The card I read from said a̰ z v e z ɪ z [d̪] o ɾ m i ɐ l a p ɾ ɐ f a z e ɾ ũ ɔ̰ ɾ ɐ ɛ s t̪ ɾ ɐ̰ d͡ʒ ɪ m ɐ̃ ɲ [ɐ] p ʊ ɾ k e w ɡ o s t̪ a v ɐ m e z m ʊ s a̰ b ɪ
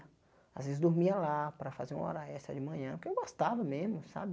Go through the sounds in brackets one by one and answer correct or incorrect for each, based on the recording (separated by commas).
correct, incorrect